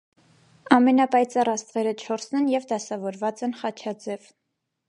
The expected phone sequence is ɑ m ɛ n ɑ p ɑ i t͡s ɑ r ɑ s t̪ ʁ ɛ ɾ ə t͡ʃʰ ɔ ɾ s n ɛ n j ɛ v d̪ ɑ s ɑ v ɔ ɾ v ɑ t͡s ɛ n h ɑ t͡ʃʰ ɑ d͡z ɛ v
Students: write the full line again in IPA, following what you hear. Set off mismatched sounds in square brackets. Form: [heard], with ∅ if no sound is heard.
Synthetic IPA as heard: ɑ m ɛ n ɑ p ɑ [j] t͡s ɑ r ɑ s t̪ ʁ ɛ ɾ ə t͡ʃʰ ɔ ɾ s n ɛ n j ɛ v d̪ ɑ s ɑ v ɔ ɾ v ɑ t͡s ɛ n [χ] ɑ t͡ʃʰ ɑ d͡z ɛ v